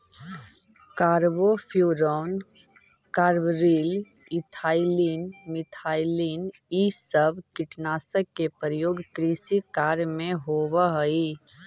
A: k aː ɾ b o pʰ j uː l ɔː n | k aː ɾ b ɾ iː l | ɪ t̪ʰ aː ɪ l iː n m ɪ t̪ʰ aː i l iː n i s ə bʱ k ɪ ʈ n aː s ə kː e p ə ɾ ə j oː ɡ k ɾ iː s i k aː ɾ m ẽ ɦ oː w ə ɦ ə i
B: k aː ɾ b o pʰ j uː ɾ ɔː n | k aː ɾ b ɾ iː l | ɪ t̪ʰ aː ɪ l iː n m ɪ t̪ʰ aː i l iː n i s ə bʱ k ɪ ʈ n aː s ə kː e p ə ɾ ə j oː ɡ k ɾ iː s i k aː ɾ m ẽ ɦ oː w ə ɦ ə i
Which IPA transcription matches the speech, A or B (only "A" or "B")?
B